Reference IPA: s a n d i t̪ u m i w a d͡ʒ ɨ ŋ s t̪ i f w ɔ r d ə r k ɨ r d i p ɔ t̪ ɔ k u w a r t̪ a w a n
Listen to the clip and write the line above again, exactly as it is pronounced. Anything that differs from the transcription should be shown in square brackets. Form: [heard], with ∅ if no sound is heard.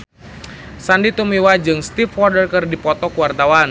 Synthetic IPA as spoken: s a n d i t̪ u m i w a d͡ʒ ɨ ŋ s t̪ i f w ɔ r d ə r k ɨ r d i p ɔ t̪ ɔ k u w a r t̪ a w a n